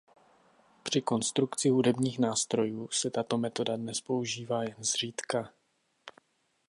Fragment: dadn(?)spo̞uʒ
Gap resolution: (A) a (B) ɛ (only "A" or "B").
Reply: B